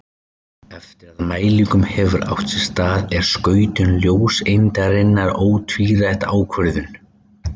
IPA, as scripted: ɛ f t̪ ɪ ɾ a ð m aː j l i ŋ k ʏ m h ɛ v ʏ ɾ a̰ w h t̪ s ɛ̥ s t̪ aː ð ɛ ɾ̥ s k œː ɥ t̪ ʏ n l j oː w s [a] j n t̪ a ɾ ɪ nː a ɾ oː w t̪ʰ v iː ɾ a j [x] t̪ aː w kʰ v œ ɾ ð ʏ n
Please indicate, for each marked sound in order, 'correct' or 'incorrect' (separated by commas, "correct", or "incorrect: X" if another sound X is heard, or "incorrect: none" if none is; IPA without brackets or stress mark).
incorrect: e, incorrect: h